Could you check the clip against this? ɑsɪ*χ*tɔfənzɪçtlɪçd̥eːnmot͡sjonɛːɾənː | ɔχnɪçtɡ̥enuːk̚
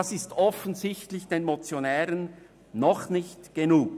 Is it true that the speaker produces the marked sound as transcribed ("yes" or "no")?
no